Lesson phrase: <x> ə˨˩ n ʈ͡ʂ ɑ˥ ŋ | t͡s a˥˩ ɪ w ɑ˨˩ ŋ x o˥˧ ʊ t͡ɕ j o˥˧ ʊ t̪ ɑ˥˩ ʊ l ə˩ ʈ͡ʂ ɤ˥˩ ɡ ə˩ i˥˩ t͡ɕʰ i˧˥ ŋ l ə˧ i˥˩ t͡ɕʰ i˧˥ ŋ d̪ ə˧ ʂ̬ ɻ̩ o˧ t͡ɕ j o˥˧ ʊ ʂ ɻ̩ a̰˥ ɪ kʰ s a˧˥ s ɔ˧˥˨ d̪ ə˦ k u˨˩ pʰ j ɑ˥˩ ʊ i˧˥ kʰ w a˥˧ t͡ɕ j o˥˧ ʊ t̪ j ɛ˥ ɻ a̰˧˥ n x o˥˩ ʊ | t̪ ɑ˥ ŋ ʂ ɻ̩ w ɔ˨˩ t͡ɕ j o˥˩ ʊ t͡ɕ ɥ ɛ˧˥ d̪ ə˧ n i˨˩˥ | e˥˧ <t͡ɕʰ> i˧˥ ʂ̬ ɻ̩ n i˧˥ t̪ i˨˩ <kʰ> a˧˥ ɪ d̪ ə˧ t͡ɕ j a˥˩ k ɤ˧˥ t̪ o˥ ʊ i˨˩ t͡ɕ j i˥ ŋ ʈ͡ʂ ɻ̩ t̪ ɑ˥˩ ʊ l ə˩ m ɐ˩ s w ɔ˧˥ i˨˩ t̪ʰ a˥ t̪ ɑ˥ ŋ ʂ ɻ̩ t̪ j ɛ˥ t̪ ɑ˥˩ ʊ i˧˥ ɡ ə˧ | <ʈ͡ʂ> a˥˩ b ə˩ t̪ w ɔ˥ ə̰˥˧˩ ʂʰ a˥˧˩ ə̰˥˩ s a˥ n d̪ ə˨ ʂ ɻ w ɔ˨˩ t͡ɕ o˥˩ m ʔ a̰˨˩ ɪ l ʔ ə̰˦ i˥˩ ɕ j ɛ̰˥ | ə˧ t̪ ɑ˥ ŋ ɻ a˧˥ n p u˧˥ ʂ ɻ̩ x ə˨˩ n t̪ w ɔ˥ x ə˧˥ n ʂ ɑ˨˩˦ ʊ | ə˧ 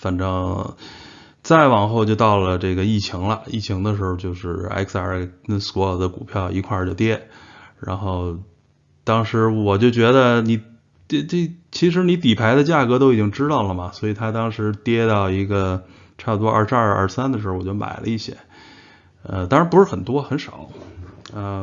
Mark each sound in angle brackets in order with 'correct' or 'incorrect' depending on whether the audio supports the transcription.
incorrect: f, correct, incorrect: pʰ, incorrect: ʈ͡ʂʰ

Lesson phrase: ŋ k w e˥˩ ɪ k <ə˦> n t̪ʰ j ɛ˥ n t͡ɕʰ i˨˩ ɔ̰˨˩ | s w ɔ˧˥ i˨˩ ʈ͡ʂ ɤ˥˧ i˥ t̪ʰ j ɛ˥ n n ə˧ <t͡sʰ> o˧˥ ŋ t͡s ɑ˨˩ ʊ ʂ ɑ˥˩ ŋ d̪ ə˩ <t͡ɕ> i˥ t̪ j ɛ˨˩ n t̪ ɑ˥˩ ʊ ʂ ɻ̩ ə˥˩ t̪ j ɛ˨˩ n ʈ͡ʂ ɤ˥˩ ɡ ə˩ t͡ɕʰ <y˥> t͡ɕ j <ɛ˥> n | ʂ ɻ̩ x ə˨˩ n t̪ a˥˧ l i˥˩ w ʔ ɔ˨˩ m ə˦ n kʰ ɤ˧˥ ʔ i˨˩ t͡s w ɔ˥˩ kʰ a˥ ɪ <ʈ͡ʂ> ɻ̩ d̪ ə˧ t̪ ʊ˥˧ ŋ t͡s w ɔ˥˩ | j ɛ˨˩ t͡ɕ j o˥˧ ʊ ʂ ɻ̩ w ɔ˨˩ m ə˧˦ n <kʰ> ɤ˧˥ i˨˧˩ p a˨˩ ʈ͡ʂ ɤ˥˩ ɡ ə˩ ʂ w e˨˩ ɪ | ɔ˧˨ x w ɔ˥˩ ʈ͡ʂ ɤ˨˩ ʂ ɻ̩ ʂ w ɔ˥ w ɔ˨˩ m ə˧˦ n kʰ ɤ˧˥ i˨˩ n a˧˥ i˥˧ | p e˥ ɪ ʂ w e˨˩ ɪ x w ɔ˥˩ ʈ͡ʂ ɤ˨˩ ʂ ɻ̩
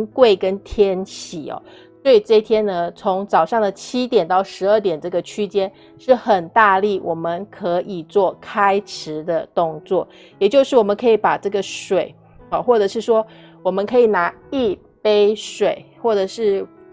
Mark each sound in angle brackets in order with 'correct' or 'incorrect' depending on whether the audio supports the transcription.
correct, correct, incorrect: t͡ɕʰ, correct, correct, incorrect: ʈ͡ʂʰ, correct

